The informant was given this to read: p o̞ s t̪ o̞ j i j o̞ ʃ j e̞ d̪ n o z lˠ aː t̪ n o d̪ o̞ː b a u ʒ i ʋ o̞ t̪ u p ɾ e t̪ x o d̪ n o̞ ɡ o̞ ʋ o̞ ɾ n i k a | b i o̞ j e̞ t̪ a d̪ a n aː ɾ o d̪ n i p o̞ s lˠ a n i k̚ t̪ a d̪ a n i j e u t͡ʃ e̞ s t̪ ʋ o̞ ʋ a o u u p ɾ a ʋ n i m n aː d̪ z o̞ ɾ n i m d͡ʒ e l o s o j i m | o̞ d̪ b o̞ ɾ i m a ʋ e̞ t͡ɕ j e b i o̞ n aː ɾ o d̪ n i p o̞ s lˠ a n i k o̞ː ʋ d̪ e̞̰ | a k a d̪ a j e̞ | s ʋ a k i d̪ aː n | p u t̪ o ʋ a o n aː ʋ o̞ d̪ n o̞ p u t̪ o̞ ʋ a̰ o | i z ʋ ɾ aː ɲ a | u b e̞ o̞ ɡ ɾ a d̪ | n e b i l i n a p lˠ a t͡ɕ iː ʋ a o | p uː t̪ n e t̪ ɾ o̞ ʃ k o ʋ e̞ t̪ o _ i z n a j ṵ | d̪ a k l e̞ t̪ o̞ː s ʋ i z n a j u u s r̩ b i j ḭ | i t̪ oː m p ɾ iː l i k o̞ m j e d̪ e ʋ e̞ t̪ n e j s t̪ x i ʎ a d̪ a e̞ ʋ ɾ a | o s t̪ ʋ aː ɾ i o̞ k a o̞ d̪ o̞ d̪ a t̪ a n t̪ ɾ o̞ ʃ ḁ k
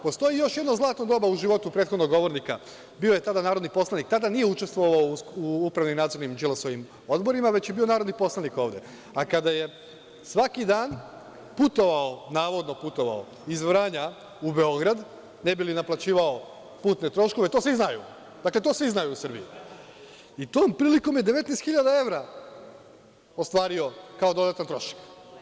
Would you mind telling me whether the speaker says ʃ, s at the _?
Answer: s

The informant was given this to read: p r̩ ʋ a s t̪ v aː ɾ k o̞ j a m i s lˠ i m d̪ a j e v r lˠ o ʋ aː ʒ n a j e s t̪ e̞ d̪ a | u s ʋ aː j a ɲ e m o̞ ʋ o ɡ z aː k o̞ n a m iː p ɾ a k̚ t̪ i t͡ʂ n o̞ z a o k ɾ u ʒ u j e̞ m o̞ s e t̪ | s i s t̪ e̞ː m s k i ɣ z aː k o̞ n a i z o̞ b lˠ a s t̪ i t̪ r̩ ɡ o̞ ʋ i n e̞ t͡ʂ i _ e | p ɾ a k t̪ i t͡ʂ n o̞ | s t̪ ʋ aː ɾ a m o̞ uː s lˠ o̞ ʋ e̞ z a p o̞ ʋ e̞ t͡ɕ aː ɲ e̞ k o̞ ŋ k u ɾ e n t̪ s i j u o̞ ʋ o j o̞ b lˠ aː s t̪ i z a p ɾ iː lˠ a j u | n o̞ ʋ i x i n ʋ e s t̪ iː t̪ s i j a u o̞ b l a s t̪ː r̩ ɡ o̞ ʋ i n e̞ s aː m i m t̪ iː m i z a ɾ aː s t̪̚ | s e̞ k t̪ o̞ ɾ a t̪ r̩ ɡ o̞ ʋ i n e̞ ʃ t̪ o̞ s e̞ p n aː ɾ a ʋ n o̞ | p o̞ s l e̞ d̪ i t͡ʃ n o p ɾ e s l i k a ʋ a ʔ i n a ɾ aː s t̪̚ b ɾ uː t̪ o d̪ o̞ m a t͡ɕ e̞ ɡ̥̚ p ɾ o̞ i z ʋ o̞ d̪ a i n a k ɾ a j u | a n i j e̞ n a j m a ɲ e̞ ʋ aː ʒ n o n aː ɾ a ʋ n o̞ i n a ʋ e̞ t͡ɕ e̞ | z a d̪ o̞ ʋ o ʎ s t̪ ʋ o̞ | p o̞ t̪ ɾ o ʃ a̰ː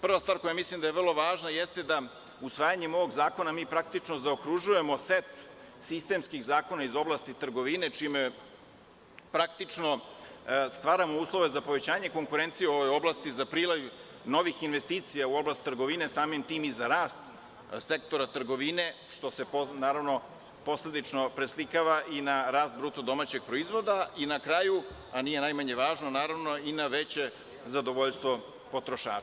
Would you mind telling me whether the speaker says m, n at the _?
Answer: m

